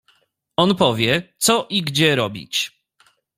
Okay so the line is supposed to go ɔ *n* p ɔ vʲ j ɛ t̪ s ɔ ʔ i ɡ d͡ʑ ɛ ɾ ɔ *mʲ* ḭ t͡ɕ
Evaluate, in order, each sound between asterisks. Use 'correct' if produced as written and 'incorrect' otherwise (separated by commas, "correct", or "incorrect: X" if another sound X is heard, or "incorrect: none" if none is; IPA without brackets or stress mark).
correct, incorrect: bʲ